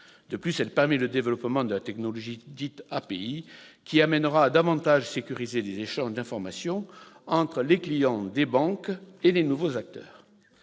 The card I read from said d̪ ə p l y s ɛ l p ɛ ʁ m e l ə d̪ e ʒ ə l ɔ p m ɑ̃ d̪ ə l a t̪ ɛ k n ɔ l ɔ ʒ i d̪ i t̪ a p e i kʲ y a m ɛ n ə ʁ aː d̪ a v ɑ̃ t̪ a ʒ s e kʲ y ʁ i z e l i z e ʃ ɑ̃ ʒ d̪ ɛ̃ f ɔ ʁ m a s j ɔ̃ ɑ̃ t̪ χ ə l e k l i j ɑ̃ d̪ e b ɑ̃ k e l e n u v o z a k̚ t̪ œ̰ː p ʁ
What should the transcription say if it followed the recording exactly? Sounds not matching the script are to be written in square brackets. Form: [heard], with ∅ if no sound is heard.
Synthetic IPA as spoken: d̪ ə p l y s ɛ l p ɛ ʁ m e l ə d̪ e [v] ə l ɔ p m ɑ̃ d̪ ə l a t̪ ɛ k n ɔ l ɔ ʒ i d̪ i t̪ a p e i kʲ [i] a m ɛ n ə ʁ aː d̪ a v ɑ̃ t̪ a ʒ s e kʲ y ʁ i z e l [e] z e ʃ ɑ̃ ʒ d̪ ɛ̃ f ɔ ʁ m a s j ɔ̃ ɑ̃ t̪ χ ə l e k l i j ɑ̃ d̪ e b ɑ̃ k e l e n u v o z a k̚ t̪ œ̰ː [∅] ʁ